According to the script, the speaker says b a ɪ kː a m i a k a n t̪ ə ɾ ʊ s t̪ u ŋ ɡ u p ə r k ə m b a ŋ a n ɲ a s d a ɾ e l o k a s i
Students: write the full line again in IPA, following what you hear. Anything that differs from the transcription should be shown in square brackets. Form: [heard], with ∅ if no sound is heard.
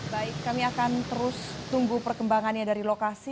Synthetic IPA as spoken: b a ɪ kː a m i a k a n t̪ ə ɾ ʊ s t̪ u ŋ ɡ u p ə r k ə m b a ŋ a n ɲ a [∅] d a ɾ [i] l o k a s i